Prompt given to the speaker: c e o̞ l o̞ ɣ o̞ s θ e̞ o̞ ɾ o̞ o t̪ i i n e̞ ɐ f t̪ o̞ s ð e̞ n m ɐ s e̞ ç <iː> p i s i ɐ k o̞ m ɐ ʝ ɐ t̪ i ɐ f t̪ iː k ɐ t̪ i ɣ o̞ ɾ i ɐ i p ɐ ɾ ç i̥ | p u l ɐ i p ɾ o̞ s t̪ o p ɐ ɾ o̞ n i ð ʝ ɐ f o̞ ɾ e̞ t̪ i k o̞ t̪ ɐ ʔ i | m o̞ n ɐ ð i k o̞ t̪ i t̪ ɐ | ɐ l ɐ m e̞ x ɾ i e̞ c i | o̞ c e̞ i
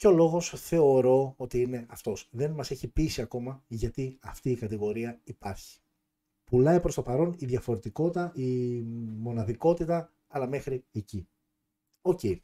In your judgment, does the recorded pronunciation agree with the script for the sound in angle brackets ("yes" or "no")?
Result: no